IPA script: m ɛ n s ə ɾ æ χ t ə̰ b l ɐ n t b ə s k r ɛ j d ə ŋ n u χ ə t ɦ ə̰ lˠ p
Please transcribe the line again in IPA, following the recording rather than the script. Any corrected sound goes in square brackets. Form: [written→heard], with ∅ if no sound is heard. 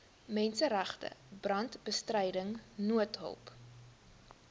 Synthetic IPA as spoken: m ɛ n s ə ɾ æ χ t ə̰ b [l→r] ɐ n t b ə s [k→t] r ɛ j d ə ŋ n u [χ→∅] ə t ɦ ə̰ lˠ p